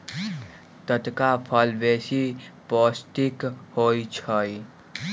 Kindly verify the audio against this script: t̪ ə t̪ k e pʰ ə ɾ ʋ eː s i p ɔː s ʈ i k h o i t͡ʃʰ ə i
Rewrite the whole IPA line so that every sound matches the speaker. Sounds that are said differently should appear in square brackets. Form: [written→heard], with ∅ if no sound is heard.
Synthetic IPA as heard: t̪ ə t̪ k [e→a] pʰ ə [ɾ→l] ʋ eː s i p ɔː s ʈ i k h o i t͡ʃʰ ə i